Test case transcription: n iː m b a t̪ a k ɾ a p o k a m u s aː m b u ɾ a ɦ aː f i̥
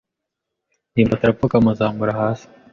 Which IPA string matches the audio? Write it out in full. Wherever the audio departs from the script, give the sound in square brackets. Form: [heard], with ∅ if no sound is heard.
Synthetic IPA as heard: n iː m b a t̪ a [∅] ɾ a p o k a m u [z] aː m b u ɾ a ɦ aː [s] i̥